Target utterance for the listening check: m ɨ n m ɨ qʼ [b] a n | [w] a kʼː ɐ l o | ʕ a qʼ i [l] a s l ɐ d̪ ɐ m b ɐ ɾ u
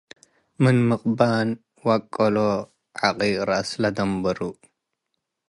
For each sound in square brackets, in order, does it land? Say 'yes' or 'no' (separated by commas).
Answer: yes, yes, no